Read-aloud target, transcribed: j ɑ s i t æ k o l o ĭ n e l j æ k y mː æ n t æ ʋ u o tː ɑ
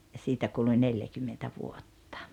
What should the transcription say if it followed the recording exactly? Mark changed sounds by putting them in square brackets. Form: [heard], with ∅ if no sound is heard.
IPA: j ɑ s [iː] t æ k [u] l [u] ĭ n e l j æ k y mː [e] n t æ ʋ u o tː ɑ